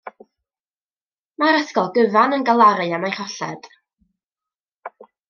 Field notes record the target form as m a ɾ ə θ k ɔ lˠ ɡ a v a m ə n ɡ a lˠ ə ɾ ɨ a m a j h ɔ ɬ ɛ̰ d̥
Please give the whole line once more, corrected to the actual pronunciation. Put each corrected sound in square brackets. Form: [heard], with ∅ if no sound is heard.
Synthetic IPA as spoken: m a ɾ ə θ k ɔ lˠ ɡ [ə] v a [n] ə n ɡ a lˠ [a] ɾ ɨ a m a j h ɔ ɬ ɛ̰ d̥